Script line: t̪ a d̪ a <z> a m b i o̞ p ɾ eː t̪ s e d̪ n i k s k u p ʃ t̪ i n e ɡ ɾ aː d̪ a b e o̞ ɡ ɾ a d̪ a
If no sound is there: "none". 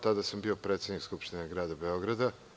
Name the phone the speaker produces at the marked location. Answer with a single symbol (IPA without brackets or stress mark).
s